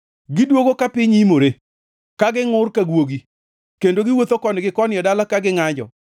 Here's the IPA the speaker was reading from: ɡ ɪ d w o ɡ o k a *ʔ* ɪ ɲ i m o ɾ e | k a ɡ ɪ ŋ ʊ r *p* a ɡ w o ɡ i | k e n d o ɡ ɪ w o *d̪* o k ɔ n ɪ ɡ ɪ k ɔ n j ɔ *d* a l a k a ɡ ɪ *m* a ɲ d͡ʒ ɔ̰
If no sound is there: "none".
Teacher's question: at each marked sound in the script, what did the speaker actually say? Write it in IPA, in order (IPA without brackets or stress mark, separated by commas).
p, k, t̪, d, ŋ